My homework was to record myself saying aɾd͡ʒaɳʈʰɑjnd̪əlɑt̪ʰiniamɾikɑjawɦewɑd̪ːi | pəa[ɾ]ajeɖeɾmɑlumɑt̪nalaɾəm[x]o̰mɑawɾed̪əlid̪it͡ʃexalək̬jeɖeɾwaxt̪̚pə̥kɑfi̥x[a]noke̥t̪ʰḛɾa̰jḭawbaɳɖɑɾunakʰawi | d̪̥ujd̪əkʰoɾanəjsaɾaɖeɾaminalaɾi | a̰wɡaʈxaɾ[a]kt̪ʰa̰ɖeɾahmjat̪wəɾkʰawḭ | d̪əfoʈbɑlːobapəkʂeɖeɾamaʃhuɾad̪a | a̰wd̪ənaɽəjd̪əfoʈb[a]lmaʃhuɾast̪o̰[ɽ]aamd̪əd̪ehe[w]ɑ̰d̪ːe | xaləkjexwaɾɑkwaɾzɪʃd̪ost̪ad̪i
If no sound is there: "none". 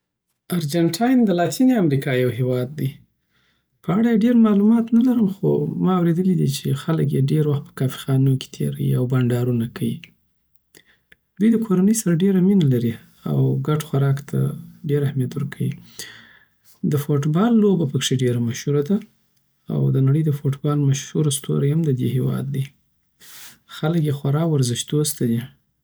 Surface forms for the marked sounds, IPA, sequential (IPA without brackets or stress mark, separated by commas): ɽ, x, ɑ, ɑ, ɑ, ɾ, w